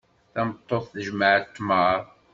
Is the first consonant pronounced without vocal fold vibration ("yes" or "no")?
yes